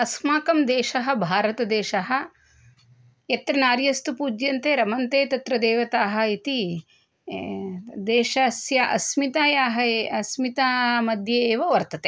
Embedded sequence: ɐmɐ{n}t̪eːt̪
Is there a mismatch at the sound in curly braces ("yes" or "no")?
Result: no